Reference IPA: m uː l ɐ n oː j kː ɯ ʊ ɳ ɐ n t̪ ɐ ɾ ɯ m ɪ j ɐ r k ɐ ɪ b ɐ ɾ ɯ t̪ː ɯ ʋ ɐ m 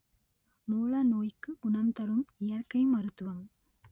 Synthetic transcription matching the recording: m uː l ɐ n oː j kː ɯ ʊ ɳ ɐ m t̪ ɐ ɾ ɯ m ɪ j ɐ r k ɐ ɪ m ɐ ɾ ɯ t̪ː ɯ ʋ ɐ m